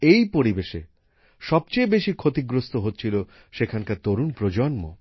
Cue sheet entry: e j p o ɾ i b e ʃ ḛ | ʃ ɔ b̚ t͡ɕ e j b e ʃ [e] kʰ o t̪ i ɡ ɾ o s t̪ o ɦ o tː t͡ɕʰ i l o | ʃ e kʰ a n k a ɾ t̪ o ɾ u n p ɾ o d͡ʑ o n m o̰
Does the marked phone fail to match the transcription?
yes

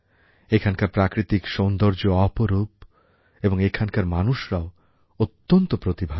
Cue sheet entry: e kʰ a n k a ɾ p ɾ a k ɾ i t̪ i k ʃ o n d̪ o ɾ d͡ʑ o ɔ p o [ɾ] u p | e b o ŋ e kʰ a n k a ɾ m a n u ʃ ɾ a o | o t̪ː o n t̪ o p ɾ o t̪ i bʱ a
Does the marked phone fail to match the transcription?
no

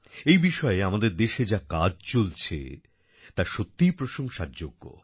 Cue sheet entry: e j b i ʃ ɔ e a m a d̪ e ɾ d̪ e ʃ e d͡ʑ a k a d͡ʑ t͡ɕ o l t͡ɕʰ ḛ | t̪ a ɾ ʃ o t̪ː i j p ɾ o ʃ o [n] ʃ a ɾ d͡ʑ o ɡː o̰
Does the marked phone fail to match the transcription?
yes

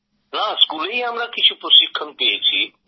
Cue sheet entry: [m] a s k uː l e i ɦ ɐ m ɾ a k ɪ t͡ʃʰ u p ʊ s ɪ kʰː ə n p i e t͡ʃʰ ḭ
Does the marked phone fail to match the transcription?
yes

